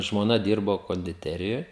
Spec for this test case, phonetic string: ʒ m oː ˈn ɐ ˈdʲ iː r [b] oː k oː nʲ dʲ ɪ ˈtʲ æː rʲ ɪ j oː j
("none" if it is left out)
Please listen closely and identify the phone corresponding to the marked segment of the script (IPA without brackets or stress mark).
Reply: b